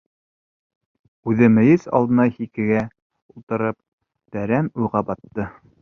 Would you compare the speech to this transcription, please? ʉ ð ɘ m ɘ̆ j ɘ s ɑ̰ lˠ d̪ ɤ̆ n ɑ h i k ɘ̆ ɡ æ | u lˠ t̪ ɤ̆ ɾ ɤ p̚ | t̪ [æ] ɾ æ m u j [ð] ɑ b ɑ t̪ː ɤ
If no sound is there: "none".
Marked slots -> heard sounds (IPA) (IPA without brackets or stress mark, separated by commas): æ, ʁ